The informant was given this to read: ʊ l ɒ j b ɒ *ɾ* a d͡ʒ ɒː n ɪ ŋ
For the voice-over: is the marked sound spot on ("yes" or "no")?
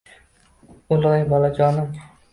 no